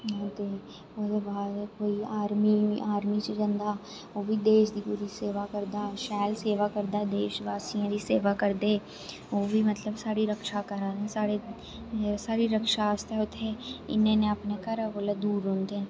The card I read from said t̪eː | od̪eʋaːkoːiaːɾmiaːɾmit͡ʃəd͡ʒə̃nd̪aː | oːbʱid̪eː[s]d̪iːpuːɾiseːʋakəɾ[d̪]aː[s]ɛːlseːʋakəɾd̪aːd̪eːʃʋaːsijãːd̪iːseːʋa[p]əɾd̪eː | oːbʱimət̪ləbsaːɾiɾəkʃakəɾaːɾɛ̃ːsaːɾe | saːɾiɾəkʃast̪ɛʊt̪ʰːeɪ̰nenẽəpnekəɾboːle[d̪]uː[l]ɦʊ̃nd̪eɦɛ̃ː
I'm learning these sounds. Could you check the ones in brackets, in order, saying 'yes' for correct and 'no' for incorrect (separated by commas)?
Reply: no, yes, no, no, yes, no